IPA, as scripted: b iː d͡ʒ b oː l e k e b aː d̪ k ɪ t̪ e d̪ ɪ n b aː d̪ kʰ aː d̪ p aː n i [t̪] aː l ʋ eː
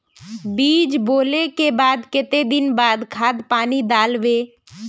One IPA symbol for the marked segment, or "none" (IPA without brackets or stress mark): d̪